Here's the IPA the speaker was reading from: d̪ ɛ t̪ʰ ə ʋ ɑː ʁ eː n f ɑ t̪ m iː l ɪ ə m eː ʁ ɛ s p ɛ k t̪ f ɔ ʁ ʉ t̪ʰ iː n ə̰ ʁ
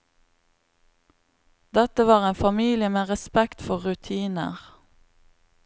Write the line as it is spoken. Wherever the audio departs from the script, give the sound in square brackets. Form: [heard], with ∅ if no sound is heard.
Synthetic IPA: d̪ ɛ [t̪] ə ʋ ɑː ʁ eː n f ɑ [∅] m iː l ɪ ə m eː ʁ ɛ s p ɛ k t̪ f ɔ ʁ ʉ t̪ʰ iː n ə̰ ʁ